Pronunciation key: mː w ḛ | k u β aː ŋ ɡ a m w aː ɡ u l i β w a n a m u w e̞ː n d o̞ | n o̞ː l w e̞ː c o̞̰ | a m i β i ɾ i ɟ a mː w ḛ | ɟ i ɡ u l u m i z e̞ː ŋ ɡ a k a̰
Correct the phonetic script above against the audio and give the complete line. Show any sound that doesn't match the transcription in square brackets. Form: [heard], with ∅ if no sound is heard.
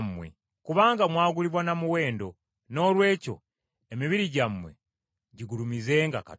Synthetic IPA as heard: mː w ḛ | k u β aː ŋ ɡ a m w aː ɡ u l i β w a n a m u w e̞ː n d o̞ | n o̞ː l w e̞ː c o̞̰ | [e] m i β i ɾ i ɟ a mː w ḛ | ɟ i ɡ u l u m i z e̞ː ŋ ɡ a k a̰